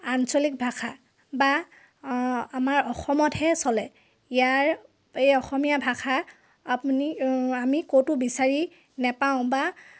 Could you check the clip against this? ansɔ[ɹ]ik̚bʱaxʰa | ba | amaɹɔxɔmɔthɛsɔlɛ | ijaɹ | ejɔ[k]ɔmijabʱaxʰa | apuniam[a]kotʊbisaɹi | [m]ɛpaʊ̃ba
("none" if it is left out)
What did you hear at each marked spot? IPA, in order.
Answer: l, x, i, n

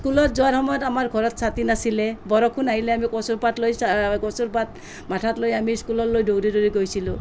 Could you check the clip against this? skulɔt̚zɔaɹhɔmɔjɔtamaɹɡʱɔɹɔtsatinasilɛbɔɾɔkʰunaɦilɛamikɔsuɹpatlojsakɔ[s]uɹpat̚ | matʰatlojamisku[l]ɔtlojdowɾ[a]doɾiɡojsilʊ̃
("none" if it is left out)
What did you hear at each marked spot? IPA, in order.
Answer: s, l, i

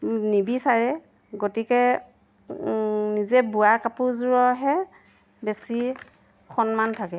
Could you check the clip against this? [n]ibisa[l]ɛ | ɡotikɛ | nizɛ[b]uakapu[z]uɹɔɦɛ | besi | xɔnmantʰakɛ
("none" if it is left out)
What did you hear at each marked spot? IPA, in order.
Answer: n, ɹ, b, z

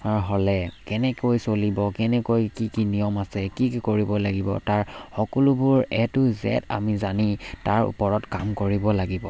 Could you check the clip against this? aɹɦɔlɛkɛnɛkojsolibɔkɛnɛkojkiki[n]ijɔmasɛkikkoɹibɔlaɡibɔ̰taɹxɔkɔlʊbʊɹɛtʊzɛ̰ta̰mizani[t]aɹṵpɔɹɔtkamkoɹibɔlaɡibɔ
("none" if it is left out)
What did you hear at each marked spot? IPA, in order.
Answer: n, t

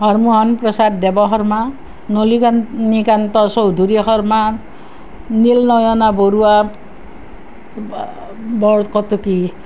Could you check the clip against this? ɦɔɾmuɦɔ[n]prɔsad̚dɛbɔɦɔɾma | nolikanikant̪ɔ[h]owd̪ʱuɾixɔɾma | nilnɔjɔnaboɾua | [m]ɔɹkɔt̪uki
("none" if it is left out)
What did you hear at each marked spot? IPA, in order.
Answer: n, s, b

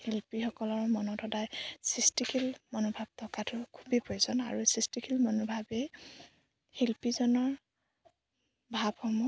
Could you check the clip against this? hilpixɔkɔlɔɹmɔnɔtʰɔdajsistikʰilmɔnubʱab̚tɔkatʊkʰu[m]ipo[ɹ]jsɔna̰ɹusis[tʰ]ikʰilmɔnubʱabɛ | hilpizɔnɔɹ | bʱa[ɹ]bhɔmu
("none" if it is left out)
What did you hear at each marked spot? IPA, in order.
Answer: b, none, t, none

